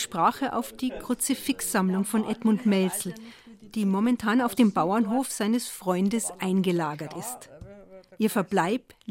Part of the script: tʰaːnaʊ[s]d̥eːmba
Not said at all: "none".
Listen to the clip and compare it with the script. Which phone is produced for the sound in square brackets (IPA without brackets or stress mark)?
f